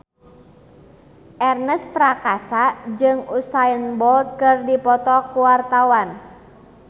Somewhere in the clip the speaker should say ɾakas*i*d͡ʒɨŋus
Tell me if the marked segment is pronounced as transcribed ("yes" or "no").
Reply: no